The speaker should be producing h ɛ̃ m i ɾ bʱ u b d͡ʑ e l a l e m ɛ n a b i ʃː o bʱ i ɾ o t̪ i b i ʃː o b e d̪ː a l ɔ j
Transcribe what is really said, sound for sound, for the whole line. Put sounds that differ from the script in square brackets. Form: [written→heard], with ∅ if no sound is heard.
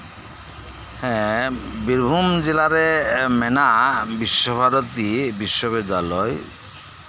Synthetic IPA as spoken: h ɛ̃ [m→b] i ɾ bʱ u [b→m] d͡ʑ e l a [l→ɾ] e m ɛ n a b i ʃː o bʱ [i→a] ɾ o t̪ i b i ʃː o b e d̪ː a l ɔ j

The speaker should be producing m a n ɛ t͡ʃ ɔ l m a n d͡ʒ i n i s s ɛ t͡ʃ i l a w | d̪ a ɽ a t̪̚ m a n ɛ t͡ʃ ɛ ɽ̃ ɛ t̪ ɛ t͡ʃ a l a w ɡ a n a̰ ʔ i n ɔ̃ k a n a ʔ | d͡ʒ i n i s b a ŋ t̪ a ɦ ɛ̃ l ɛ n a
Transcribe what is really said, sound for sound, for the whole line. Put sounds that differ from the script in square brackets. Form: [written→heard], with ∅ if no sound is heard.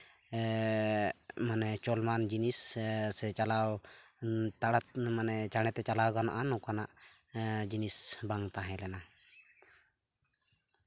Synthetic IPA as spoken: m a n ɛ t͡ʃ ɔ l m a n d͡ʒ i n i s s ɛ t͡ʃ [i→a] l a w | [d̪→t̪] a ɽ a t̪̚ m a n ɛ t͡ʃ [ɛ→a] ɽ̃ ɛ t̪ ɛ t͡ʃ a l a w ɡ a n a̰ ʔ [i→a] n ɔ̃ k a n a ʔ | d͡ʒ i n i s b a ŋ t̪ a ɦ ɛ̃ l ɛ n a

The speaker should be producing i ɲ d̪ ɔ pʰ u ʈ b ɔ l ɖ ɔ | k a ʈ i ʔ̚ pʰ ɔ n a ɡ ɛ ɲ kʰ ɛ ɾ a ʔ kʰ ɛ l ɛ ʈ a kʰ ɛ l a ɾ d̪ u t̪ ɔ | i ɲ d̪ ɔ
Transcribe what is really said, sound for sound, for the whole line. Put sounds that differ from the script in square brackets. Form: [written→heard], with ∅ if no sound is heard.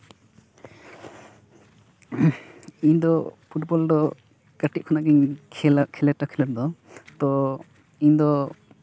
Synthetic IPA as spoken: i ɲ d̪ ɔ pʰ u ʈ b ɔ l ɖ ɔ | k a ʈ i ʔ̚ [pʰ→kʰ] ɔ n a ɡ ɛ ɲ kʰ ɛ [ɾ→l] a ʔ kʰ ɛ l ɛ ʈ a kʰ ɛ l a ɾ d̪ [u→ɔ] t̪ ɔ | i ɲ d̪ ɔ

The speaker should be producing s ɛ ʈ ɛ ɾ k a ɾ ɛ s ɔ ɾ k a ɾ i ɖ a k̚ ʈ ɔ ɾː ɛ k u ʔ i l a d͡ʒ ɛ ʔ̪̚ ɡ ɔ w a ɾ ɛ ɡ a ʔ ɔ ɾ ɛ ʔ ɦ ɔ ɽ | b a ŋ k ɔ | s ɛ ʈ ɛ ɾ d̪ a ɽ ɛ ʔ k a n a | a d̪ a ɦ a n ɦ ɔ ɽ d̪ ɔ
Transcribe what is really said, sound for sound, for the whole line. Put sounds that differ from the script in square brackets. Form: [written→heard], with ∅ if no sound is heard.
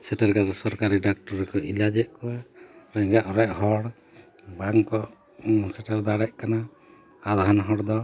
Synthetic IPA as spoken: s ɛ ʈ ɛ ɾ k a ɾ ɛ s ɔ ɾ k a ɾ i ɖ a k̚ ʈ ɔ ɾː ɛ k [u→ɔ] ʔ i l a d͡ʒ ɛ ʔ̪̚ [ɡ→k] ɔ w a ɾ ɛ ɡ a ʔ ɔ ɾ ɛ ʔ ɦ ɔ ɽ | b a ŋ k ɔ | s ɛ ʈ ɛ ɾ d̪ a ɽ ɛ ʔ k a n a | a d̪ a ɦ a n ɦ ɔ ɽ d̪ ɔ

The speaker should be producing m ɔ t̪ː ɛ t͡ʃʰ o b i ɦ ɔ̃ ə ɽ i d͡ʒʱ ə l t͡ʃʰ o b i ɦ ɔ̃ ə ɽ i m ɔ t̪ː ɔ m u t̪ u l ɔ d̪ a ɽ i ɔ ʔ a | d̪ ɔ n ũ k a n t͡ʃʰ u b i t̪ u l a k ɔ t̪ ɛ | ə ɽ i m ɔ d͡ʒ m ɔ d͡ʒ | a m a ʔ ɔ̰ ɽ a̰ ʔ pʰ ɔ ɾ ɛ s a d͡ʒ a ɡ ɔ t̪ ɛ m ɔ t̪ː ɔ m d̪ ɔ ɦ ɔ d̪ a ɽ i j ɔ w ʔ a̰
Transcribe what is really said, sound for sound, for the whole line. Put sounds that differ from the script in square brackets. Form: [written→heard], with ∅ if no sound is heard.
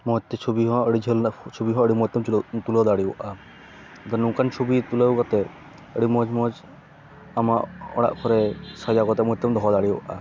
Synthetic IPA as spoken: m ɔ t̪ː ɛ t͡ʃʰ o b i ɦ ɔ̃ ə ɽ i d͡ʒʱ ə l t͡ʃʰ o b i ɦ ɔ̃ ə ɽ i m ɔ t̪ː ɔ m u t̪ u l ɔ d̪ a ɽ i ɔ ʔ a | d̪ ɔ n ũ k a n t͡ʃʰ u b i t̪ u l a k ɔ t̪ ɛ | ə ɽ i m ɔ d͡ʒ m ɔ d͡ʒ | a m a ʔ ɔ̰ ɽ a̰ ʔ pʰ ɔ ɾ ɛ s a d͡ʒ a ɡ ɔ t̪ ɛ m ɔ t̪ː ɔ m d̪ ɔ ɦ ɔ d̪ a ɽ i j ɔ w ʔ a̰

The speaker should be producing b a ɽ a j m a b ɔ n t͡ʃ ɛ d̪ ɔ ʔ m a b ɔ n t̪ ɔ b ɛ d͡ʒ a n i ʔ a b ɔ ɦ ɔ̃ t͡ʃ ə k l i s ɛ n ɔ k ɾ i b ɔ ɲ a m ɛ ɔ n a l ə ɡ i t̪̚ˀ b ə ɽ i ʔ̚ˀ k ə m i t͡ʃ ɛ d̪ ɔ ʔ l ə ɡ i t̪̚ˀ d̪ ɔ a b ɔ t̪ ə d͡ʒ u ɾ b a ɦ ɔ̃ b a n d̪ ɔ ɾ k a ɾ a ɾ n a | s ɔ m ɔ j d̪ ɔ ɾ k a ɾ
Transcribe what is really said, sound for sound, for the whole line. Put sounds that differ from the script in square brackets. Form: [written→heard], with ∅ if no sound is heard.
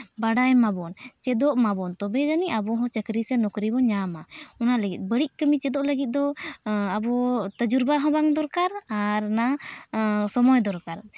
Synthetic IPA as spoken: b a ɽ a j m a b ɔ n t͡ʃ ɛ d̪ ɔ ʔ m a b ɔ n t̪ ɔ b ɛ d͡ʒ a n i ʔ a b ɔ ɦ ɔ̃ t͡ʃ ə k [l→ɾ] i s ɛ n ɔ k ɾ i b ɔ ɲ a m [ɛ→a] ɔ n a l ə ɡ i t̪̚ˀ b ə ɽ i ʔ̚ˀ k ə m i t͡ʃ ɛ d̪ ɔ ʔ l ə ɡ i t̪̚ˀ d̪ ɔ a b ɔ t̪ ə d͡ʒ u ɾ b a ɦ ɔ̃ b a [n→ŋ] d̪ ɔ ɾ k a ɾ a ɾ n a | s ɔ m ɔ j d̪ ɔ ɾ k a ɾ

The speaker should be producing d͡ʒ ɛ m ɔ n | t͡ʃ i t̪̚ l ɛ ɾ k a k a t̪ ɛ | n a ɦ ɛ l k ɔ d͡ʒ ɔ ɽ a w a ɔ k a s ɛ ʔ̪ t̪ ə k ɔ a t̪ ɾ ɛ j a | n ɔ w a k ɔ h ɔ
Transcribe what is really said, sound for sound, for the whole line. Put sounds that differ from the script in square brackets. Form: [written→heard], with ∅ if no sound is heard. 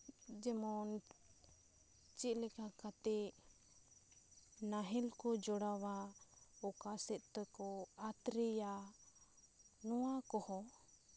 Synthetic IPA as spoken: d͡ʒ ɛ m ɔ n | t͡ʃ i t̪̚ l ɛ [ɾ→∅] k a k a t̪ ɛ | n a ɦ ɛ l k ɔ d͡ʒ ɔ ɽ a w a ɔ k a s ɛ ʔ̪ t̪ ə k ɔ a t̪ ɾ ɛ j a | n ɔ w a k ɔ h ɔ

